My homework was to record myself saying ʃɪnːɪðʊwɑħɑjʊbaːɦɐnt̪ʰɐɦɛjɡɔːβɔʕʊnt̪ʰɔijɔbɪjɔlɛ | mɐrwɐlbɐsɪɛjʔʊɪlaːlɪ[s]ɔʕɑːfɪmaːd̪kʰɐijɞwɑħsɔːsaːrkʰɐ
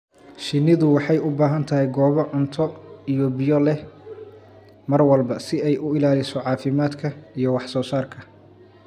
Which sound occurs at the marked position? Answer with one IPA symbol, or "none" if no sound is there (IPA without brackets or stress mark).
s